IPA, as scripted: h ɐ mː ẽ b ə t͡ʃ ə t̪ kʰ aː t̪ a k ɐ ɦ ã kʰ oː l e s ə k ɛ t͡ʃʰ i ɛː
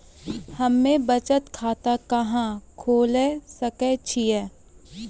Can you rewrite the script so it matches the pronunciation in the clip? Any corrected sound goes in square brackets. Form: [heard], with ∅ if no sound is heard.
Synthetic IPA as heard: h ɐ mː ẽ b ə t͡ʃ ə t̪ kʰ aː t̪ a k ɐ ɦ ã kʰ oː l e s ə k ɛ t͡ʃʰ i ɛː